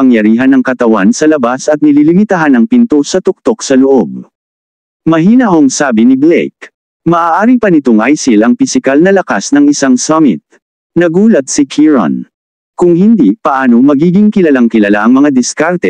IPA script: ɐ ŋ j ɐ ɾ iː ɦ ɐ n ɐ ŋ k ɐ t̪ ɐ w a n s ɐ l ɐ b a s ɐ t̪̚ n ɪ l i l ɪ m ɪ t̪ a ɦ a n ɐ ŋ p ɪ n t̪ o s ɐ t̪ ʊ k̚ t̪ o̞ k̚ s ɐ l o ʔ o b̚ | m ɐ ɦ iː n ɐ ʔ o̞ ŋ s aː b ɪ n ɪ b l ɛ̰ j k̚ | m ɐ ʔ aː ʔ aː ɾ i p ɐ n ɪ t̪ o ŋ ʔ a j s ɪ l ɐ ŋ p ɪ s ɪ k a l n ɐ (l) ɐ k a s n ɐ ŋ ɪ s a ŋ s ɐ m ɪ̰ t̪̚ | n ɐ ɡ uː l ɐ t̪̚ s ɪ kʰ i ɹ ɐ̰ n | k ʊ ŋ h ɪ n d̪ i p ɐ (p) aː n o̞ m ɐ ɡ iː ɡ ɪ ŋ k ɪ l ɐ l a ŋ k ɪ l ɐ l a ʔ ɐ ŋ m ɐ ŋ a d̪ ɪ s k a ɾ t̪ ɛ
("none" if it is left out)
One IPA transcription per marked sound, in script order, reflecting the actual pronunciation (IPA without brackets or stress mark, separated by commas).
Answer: l, ʔ